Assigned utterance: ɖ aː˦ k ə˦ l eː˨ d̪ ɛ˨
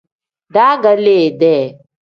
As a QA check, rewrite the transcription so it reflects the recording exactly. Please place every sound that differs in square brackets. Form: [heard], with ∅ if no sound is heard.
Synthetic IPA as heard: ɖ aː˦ [ɡ] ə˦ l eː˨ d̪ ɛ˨